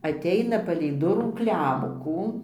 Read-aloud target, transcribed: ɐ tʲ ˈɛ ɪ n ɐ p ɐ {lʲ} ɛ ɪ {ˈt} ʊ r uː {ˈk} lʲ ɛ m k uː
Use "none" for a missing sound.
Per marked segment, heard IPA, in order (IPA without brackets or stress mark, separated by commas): lʲ, d, k